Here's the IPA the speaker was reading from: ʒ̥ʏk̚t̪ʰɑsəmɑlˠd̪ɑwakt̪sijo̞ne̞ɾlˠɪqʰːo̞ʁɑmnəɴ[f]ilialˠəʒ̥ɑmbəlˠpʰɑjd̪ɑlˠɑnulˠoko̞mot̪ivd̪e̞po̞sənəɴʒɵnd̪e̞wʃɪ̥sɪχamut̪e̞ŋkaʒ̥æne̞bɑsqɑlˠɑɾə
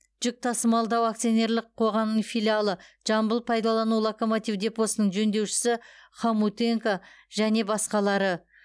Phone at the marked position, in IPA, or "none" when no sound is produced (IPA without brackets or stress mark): f